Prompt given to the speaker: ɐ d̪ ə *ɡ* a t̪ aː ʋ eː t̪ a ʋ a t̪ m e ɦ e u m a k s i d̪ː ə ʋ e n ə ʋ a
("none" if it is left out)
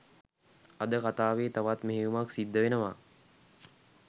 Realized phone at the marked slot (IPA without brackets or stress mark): k